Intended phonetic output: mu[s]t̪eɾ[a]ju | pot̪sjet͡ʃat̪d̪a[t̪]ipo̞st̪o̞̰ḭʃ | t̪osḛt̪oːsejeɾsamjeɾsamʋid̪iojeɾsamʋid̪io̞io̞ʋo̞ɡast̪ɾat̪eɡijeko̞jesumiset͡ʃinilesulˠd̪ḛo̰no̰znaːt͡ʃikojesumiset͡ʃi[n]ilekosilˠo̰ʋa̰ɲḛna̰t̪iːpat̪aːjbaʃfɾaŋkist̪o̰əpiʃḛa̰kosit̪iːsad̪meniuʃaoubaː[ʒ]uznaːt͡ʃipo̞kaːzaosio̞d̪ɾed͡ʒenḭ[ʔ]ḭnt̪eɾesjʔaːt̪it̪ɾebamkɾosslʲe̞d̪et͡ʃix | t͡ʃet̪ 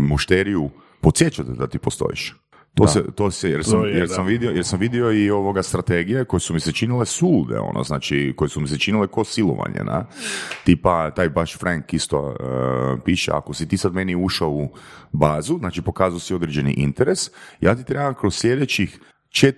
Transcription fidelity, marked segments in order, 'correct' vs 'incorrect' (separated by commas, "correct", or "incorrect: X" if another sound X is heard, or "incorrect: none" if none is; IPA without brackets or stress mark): incorrect: ʃ, incorrect: i, correct, correct, incorrect: z, correct